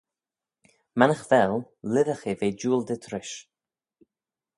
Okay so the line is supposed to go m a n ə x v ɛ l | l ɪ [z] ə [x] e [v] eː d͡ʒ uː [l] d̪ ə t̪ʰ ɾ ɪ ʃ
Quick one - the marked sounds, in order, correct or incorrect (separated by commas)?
incorrect, correct, correct, correct